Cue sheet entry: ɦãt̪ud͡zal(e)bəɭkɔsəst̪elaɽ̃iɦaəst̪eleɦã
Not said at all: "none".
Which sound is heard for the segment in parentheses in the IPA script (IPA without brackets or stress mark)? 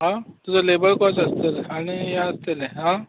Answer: e